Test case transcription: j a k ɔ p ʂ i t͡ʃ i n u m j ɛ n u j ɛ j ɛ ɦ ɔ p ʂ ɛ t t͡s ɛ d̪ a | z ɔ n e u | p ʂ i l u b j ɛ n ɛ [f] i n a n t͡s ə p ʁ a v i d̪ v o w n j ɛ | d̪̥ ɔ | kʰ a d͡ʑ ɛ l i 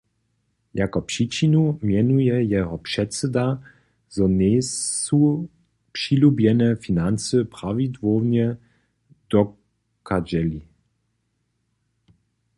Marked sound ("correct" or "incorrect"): correct